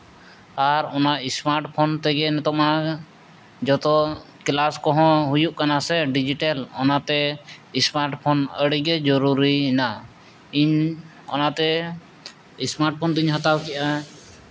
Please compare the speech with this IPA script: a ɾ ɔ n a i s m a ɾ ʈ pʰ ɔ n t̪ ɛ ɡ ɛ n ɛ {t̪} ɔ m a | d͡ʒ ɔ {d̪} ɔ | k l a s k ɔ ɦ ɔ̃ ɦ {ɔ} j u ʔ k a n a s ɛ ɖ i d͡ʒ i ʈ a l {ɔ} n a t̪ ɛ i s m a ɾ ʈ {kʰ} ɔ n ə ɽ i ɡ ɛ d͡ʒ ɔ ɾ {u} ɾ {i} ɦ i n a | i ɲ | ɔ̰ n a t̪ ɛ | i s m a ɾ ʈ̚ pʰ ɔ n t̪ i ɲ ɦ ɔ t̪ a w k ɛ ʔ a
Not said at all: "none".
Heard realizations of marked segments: t̪, t̪, u, ɔ, pʰ, u, i

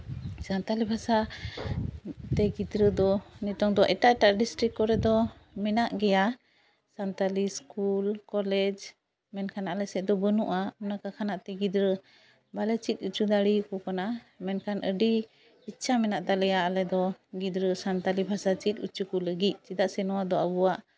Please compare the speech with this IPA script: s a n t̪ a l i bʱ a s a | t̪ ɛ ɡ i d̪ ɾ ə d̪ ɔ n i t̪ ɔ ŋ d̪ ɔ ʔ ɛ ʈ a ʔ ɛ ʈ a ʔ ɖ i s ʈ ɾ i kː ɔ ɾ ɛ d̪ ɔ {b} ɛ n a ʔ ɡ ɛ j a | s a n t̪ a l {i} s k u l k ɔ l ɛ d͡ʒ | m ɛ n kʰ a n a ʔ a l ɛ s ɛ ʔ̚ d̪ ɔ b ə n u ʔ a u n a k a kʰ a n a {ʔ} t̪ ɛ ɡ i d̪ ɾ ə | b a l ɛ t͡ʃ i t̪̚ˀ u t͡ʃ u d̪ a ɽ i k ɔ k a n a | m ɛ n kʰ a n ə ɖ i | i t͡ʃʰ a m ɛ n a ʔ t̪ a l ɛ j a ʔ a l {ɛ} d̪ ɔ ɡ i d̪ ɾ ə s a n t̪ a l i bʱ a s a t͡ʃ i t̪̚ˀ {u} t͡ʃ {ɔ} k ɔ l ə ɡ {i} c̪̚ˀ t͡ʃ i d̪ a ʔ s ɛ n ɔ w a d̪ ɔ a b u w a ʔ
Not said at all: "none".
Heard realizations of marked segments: m, i, ʔ, ɛ, u, u, i

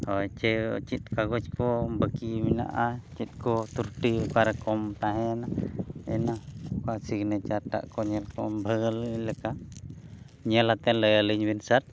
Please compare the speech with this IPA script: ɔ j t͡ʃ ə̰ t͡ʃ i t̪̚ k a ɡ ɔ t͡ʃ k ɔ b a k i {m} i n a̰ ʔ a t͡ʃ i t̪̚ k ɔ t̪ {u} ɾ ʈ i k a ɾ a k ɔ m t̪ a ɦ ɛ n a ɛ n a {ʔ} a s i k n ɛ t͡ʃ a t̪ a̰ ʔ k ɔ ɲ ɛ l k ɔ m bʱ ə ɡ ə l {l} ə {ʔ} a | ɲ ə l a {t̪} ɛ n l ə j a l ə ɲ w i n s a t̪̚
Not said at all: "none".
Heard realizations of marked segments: m, u, k, l, k, t̪

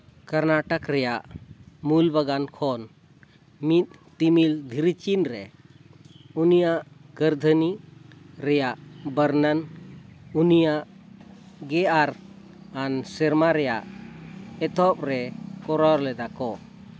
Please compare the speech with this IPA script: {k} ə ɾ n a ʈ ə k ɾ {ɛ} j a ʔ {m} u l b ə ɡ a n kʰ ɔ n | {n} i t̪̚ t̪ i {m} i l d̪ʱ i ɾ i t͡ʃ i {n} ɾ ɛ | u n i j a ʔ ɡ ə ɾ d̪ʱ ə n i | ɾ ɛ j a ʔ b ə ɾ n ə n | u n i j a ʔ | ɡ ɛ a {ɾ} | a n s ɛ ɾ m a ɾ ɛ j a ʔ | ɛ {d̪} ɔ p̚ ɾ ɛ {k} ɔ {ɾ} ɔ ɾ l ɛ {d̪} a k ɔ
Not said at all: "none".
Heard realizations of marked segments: k, ɛ, m, m, m, n, ɾ, t̪, k, ɾ, d̪

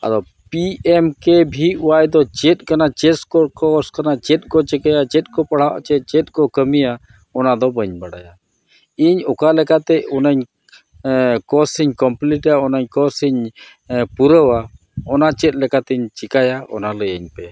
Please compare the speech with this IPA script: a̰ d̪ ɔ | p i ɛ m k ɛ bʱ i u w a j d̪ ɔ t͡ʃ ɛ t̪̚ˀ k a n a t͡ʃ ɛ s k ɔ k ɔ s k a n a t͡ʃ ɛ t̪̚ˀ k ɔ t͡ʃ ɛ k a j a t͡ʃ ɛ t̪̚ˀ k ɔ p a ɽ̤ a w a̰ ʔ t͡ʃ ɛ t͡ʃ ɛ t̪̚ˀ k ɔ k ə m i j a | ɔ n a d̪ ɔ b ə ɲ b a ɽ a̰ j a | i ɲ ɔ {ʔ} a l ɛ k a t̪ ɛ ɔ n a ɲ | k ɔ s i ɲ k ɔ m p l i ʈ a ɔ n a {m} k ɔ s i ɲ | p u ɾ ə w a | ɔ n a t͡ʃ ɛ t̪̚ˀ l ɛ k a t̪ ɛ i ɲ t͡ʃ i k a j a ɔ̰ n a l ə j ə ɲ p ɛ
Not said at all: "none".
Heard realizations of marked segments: k, ɲ

